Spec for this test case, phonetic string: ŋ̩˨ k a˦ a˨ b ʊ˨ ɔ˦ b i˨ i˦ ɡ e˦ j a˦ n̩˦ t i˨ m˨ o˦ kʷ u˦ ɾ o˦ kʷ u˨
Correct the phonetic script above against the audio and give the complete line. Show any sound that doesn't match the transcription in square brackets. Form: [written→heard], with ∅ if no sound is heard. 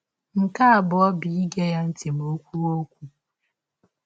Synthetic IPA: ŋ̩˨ k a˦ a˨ b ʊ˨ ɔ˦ b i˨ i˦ ɡ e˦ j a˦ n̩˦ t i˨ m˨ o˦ kʷ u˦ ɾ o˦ kʷ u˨

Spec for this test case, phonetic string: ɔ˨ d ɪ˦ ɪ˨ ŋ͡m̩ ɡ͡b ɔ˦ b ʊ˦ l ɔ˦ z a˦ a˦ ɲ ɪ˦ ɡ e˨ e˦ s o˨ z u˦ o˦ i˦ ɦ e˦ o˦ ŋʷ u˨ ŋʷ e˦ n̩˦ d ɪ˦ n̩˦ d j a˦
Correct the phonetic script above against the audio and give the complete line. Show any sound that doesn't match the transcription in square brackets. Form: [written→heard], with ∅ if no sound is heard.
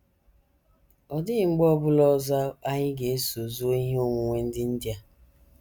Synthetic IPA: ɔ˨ d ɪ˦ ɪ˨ ŋ͡m̩ ɡ͡b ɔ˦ b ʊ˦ l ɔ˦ z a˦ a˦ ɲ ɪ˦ ɡ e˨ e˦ s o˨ z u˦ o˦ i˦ ɦ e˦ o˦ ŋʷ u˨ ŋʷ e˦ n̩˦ d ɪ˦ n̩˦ d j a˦

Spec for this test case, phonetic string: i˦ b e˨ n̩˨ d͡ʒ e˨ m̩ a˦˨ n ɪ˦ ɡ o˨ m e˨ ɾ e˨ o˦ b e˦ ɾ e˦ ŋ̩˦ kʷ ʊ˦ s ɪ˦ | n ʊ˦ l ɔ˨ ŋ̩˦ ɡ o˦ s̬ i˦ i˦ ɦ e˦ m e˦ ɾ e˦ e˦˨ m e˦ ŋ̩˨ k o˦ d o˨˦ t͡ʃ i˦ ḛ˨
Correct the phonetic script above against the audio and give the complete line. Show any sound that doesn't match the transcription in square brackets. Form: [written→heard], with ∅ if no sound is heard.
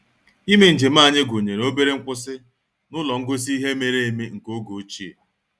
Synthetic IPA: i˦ [b→m] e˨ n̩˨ d͡ʒ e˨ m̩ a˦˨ [n→ɲ] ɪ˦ ɡ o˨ [m→ɲ] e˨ ɾ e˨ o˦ b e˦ ɾ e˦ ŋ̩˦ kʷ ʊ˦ s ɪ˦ | n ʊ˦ l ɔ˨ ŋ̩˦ ɡ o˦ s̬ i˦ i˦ ɦ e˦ m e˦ ɾ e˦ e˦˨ m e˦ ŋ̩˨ k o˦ [d→ɡ] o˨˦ t͡ʃ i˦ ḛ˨

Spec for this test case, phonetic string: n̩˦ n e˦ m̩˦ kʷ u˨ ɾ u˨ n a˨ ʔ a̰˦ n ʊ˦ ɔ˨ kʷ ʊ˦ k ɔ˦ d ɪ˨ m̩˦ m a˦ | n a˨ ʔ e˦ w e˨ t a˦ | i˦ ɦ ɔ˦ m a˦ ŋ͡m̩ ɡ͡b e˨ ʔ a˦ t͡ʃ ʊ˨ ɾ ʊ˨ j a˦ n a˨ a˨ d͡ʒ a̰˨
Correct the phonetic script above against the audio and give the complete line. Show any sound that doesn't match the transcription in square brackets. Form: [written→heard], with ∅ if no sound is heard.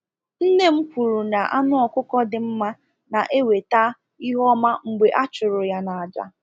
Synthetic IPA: n̩˦ n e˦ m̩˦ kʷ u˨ ɾ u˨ n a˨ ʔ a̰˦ n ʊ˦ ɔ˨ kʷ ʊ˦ k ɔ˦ d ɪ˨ m̩˦ m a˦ | n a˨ ʔ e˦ w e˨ t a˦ | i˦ ɦ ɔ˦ m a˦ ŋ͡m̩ ɡ͡b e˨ ʔ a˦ t͡ʃ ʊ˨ ɾ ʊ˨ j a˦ n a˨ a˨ d͡ʒ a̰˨

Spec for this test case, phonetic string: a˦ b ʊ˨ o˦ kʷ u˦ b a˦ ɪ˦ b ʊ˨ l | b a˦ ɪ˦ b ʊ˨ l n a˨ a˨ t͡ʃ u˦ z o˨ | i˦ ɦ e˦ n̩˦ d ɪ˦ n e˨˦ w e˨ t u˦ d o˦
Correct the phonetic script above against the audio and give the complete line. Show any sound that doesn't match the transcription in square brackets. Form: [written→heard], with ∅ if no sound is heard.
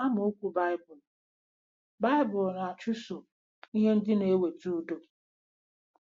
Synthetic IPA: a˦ [b→m] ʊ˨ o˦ kʷ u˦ b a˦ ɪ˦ b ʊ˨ l | b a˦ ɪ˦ b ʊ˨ l n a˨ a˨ t͡ʃ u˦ [z→s] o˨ | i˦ ɦ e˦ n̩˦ d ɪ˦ n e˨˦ w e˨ t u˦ d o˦

